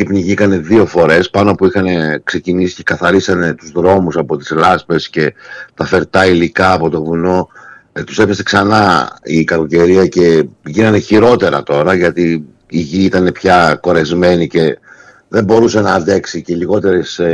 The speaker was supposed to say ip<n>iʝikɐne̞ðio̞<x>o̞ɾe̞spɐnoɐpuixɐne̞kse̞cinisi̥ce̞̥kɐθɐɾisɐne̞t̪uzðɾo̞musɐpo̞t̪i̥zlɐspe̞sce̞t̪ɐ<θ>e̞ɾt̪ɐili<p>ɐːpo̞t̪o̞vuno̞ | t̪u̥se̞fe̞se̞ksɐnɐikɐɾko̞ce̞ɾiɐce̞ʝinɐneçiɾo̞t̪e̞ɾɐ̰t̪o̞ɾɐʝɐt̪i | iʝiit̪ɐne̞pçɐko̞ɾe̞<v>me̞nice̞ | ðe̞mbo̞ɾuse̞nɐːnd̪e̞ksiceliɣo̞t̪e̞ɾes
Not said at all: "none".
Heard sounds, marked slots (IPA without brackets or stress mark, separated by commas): n, f, f, k, z